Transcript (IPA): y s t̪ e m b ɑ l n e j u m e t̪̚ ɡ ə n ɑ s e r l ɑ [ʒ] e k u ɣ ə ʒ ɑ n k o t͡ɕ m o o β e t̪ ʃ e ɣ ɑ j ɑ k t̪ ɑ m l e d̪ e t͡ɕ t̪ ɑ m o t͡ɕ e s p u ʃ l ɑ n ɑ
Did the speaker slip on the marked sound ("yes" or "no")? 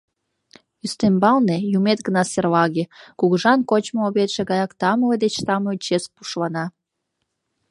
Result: yes